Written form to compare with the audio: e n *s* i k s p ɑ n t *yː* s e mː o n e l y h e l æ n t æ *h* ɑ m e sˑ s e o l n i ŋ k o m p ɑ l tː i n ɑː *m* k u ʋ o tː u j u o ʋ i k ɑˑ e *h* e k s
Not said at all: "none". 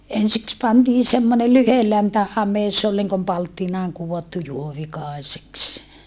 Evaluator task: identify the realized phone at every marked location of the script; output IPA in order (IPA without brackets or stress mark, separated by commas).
s, iː, h, ŋ, s